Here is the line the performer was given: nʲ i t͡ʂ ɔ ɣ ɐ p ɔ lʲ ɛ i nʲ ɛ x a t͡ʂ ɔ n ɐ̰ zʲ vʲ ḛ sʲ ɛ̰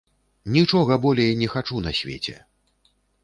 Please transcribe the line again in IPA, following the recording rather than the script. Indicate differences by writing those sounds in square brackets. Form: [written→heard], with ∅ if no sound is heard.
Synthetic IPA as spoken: nʲ i t͡ʂ ɔ ɣ ɐ [p→b] ɔ lʲ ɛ [i→j] nʲ ɛ x a t͡ʂ [ɔ→u] n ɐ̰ [zʲ→sʲ] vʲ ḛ [sʲ→t͡sʲ] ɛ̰